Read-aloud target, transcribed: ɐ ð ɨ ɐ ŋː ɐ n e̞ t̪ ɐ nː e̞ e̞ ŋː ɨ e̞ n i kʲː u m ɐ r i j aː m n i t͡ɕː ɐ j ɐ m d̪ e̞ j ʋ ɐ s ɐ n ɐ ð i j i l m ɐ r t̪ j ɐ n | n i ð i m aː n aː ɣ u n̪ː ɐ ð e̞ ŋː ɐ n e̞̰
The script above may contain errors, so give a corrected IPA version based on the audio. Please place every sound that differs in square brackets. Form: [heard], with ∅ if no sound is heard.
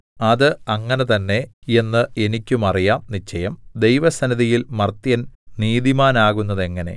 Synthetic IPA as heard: ɐ ð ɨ ɐ ŋː ɐ n e̞ t̪ ɐ nː e̞ e̞ [nː] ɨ e̞ n i kʲː u m ɐ r i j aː m n i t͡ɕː ɐ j ɐ m d̪ e̞ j ʋ ɐ s ɐ n ɐ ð i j i l m ɐ r t̪ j ɐ n | n [iː] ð i m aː n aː ɣ u n̪ː ɐ ð e̞ ŋː ɐ n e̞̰